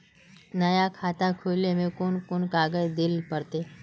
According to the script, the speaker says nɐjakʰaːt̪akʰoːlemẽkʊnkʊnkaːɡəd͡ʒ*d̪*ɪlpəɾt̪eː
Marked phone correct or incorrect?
correct